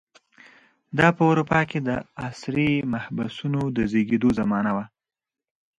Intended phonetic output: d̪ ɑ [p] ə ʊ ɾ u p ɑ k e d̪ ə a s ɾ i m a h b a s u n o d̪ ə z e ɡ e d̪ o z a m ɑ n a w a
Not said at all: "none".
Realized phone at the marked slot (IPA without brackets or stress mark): p